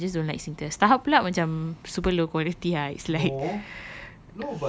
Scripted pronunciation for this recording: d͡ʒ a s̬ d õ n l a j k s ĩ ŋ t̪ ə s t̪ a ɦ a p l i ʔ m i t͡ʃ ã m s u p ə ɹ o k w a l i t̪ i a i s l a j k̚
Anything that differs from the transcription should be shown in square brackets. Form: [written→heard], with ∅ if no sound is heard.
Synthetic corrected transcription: d͡ʒ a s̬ d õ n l a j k s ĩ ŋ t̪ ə s t̪ a ɦ a p l [i→a] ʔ m [i→a] t͡ʃ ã m s u p ə [ɹ→l] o k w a l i t̪ i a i s l a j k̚